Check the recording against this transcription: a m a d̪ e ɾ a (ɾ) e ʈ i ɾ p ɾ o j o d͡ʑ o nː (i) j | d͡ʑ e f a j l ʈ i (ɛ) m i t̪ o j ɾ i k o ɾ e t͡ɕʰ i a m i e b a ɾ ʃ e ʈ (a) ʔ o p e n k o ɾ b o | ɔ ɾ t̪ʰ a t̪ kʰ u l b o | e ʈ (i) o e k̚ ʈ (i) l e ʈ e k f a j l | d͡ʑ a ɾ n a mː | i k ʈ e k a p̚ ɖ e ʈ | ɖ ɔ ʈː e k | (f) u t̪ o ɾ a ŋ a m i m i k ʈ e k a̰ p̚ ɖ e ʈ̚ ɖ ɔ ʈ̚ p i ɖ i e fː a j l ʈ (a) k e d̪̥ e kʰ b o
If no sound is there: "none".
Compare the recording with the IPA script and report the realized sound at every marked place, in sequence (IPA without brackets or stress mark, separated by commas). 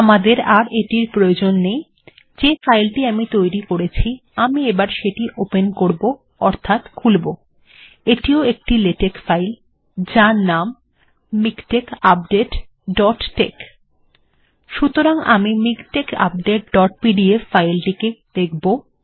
ɾ, e, a, i, i, i, ʃ, i